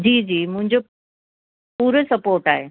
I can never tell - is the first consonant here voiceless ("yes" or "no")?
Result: no